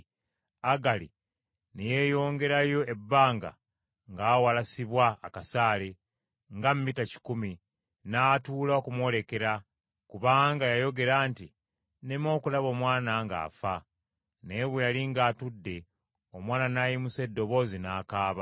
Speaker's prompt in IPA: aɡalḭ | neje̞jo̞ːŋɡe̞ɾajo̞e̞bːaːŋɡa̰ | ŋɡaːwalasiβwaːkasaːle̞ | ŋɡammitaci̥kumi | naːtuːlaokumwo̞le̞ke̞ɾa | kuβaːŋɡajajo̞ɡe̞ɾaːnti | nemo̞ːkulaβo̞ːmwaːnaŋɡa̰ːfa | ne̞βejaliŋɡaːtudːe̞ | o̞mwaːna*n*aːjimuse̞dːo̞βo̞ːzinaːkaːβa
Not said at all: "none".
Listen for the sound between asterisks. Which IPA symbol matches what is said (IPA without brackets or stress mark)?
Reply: n